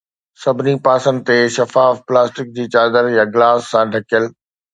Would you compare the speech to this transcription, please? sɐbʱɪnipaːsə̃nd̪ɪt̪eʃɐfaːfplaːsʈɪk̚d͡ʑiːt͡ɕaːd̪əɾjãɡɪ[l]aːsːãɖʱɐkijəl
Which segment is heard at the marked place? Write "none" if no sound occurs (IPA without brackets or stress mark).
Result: l